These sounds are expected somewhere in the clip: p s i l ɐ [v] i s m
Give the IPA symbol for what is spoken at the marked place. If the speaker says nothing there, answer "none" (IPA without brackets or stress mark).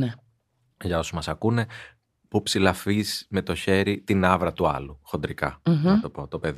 f